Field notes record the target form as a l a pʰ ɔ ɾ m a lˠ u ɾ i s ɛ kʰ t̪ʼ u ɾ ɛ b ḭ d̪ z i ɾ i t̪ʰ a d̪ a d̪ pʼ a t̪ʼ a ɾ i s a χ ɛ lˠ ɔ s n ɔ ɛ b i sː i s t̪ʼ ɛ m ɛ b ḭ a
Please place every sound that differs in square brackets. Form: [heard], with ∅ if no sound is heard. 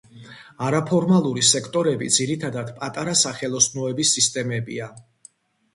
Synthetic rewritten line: a [ɾ] a pʰ ɔ ɾ m a lˠ u ɾ i s ɛ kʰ t̪ʼ [ɔ] ɾ ɛ b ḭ d̪ z i ɾ i t̪ʰ a d̪ a d̪ pʼ a t̪ʼ a ɾ [a] s a χ ɛ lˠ ɔ s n ɔ ɛ b i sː i s t̪ʼ ɛ m ɛ b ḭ a